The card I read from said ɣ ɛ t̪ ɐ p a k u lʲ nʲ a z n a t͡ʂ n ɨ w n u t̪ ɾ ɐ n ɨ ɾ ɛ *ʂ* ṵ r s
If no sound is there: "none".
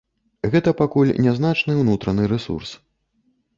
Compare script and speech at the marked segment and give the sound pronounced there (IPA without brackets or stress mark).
s